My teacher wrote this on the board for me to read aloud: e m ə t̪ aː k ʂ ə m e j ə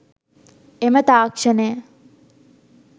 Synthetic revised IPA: e m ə t̪ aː k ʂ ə n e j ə